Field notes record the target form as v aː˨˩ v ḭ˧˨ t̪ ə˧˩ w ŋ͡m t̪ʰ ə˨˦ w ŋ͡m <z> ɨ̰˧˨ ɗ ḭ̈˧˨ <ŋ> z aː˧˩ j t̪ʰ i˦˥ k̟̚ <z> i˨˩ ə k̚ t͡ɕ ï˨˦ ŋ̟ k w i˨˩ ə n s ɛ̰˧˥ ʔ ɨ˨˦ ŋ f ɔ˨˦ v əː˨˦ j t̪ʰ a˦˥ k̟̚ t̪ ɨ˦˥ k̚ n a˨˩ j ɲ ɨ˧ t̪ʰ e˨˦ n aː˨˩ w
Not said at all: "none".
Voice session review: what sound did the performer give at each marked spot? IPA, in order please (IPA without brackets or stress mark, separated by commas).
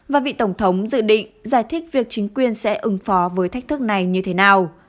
z, ŋ, v